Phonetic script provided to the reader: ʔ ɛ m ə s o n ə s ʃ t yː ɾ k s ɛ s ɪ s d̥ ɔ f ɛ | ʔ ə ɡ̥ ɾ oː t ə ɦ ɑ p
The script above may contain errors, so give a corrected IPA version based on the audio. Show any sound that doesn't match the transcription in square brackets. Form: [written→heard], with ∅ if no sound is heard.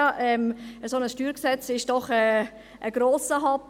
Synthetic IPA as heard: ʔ ɛ m ə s o n ə s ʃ t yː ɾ k s ɛ [s→t͡s] ɪ [s→ʃ] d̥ ɔ [f→χ] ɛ | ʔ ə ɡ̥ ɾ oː [t→s] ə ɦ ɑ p